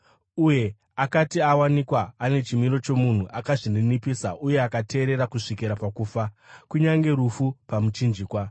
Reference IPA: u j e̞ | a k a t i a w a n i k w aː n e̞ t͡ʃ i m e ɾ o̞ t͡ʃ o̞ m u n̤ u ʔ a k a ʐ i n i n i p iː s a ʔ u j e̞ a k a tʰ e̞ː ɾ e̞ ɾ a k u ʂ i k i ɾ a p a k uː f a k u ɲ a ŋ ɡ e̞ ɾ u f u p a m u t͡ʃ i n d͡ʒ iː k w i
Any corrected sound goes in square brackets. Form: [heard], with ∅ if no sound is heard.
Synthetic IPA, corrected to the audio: u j e̞ | a k a t i a w a n i k w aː n e̞ t͡ʃ i m [i] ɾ o̞ t͡ʃ o̞ m u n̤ u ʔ a k a ʐ i n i n i p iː s a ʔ u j e̞ a k a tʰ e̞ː ɾ e̞ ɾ a k u ʂ i k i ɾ a p a k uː f a k u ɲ a ŋ ɡ e̞ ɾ u f u p a m u t͡ʃ i n d͡ʒ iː k w [a]